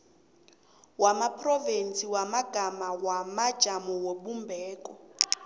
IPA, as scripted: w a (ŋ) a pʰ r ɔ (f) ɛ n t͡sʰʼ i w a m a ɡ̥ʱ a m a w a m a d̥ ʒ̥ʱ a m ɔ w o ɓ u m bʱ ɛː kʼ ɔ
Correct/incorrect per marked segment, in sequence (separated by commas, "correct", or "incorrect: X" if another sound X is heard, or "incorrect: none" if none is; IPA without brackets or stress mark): incorrect: m, incorrect: v